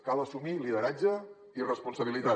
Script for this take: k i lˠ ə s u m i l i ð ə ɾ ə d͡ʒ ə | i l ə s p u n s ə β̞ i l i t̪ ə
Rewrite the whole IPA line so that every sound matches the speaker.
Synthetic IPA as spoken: k a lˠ ə s u m i l i ð ə ɾ a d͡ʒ ə | i r ə s p u n s ə β̞ i l i t̪ a